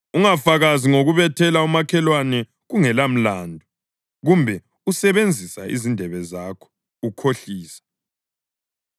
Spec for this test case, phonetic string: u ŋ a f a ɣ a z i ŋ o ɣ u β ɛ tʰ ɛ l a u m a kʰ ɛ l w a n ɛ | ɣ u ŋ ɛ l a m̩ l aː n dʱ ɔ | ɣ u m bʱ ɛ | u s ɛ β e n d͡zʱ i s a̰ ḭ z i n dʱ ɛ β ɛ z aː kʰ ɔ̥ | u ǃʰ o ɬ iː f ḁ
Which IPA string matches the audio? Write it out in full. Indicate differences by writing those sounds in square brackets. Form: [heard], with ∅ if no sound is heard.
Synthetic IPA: u ŋ a f a ɣ a z i ŋ o ɣ u β ɛ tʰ ɛ l a u m a kʰ ɛ l w a n ɛ | ɣ u ŋ ɛ l a m̩ l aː n dʱ ɔ | ɣ u m bʱ ɛ | u s ɛ β e n d͡zʱ i s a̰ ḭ z i n dʱ ɛ β ɛ z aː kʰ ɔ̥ | u [kʰ] o ɬ iː [s] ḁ